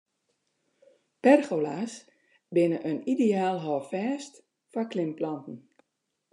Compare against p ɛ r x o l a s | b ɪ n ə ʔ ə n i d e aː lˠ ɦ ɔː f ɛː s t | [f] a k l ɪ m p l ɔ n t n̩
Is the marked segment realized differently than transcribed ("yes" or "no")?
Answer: no